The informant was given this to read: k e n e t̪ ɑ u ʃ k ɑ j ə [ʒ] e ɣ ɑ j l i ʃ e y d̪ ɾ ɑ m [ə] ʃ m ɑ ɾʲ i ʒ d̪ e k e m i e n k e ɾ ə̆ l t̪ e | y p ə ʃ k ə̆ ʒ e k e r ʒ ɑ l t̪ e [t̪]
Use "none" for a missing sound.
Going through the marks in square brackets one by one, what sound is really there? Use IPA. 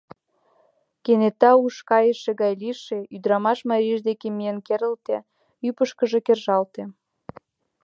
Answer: ʃ, ɑ, none

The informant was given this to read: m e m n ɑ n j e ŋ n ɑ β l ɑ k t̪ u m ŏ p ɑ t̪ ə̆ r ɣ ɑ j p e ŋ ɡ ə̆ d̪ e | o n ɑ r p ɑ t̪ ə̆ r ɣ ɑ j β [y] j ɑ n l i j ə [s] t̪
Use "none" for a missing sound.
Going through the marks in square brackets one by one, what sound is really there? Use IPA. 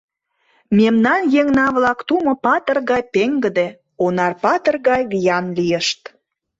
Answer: i, ʃ

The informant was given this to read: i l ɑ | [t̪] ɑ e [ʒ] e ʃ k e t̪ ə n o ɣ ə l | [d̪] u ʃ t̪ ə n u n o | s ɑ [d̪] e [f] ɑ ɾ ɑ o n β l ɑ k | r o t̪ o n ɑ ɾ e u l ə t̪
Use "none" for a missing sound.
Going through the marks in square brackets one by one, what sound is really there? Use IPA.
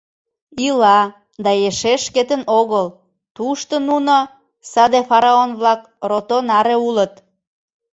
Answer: d̪, ʃ, t̪, d̪, f

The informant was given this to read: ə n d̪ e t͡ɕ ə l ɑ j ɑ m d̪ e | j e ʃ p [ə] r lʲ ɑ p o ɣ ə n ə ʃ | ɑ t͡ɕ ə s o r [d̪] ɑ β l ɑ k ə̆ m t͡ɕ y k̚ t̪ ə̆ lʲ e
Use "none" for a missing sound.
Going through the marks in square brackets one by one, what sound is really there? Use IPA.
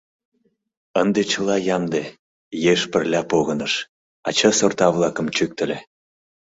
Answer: ə, t̪

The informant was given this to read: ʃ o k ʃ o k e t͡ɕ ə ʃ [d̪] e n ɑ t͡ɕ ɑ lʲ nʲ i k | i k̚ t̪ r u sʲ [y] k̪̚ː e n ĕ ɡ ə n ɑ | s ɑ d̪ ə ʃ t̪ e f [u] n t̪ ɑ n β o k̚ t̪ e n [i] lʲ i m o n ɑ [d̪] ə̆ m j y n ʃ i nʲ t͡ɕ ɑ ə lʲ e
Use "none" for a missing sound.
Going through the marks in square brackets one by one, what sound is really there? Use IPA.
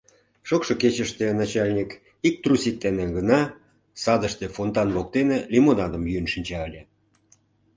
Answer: t̪, i, o, e, d̪

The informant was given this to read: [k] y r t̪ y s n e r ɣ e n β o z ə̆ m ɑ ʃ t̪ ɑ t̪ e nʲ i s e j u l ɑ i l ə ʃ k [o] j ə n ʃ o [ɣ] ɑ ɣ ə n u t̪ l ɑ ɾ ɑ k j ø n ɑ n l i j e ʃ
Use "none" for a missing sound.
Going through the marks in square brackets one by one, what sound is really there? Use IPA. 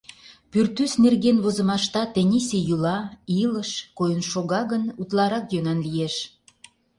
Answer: p, o, ɣ

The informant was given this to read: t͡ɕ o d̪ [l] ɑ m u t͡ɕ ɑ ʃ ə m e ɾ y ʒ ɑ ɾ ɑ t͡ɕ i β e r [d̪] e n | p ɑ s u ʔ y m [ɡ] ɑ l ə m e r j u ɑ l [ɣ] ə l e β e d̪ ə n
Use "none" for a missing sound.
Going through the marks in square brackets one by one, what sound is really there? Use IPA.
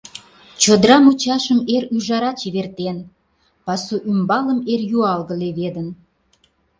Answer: ɾ, t̪, b, ɣ

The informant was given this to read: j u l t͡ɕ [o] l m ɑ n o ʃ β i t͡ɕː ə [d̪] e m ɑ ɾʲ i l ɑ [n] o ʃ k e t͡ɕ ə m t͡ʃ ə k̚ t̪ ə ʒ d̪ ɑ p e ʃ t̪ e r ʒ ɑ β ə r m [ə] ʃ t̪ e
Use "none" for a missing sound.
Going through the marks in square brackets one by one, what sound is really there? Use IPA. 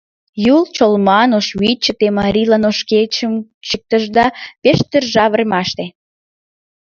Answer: o, t̪, n, ɑ

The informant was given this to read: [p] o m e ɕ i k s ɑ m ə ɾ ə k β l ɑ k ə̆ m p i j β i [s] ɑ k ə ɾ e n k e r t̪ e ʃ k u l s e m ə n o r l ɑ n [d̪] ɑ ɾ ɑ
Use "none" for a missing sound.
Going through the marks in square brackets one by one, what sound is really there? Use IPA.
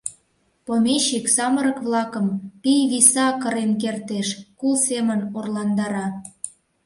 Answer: p, s, d̪

